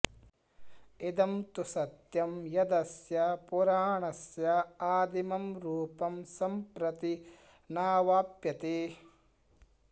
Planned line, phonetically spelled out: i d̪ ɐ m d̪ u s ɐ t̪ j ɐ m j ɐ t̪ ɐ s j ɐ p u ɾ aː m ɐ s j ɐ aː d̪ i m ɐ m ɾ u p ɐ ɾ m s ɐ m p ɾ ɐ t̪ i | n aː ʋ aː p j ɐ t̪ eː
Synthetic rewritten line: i d̪ ɐ m t̪ u s ɐ t̪ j ɐ m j ɐ d̪ ɐ s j ɐ p u ɾ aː ɳ ɐ s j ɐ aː d̪ i m ɐ m ɾ uː p ɐ m s ɐ m p ɾ ɐ t̪ i | n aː ʋ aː p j ɐ t̪ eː